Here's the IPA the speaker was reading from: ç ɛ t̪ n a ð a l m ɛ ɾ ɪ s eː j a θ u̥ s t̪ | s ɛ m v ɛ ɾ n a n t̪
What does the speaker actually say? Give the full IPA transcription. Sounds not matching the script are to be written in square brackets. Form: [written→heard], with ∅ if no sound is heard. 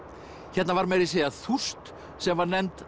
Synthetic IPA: ç ɛ t̪ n a [ð→v] a [l→ɾ] m ɛ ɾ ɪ s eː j a θ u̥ s t̪ | s ɛ m v [ɛ→a] ɾ n [a→ɛ] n t̪